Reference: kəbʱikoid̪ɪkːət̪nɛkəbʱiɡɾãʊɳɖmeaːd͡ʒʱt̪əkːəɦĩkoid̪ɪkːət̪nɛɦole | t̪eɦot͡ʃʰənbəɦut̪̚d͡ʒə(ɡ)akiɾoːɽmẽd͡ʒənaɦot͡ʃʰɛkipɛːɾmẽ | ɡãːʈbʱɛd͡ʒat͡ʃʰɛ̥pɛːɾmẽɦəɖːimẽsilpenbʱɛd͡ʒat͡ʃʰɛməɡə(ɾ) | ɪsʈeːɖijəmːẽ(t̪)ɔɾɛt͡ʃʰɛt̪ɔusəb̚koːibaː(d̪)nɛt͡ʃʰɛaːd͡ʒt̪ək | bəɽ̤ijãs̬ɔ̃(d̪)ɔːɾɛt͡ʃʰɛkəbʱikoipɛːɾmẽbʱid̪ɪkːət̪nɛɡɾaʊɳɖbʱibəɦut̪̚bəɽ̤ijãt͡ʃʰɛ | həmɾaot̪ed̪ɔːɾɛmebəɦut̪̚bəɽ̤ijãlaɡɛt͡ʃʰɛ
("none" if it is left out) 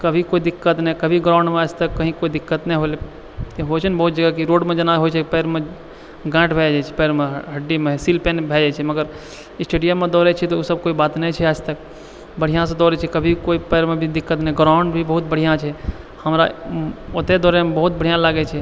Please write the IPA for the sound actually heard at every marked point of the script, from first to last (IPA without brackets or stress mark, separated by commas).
ɡ, ɾ, d̪, t̪, d̪